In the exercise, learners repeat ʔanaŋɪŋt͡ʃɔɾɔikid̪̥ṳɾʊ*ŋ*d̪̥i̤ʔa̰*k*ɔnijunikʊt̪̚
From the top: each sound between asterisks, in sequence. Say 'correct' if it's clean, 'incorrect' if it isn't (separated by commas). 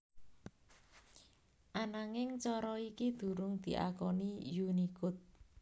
correct, correct